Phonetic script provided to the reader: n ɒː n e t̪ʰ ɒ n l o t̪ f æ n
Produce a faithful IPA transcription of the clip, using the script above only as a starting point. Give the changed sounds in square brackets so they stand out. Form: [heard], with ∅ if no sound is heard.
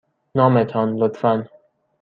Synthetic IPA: n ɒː [m] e t̪ʰ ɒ n l o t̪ f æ n